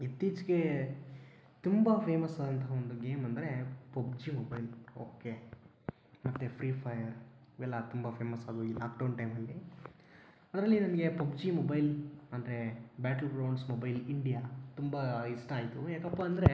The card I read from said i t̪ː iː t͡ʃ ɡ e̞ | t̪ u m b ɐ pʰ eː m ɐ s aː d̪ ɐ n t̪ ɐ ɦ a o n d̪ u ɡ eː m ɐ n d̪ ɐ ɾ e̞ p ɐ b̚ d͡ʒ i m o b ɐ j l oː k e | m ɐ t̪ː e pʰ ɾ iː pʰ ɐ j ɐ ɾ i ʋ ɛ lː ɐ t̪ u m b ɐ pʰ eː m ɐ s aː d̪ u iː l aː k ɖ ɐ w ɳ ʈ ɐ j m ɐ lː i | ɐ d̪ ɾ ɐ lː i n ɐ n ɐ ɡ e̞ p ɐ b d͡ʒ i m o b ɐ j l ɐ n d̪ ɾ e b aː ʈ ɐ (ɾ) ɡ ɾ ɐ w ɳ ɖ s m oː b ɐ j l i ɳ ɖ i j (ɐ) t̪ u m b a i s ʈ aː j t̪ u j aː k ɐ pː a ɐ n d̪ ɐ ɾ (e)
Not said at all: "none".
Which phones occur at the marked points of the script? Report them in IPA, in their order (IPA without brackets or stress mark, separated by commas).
l, a, e